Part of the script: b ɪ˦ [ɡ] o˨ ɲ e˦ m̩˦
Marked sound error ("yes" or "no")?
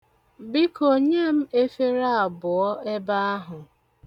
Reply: yes